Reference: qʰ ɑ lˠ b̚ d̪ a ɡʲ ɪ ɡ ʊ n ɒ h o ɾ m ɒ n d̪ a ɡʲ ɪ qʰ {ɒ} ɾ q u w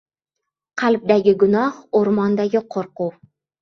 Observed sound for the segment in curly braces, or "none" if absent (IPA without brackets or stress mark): o